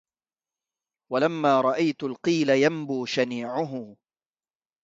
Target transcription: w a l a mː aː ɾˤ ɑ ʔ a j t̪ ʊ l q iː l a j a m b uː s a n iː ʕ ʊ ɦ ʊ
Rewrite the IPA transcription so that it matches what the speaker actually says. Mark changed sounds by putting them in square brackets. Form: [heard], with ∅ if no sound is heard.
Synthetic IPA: w a l a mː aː ɾˤ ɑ ʔ a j t̪ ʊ l q iː l a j a m b uː [ʃ] a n iː ʕ ʊ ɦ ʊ